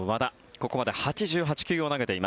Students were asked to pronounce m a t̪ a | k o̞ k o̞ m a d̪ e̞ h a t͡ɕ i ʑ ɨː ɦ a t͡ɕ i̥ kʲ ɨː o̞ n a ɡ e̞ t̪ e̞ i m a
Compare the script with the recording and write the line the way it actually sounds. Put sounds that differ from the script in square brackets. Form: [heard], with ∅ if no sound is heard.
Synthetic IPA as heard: m a [d̪] a | k o̞ k o̞ m a d̪ e̞ h a t͡ɕ i ʑ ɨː ɦ a t͡ɕ i̥ kʲ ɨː o̞ n a ɡ e̞ t̪ e̞ i m a